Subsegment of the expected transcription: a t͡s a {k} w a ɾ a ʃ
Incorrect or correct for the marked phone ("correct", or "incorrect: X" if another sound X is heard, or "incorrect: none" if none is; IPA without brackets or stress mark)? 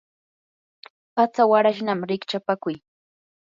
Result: incorrect: none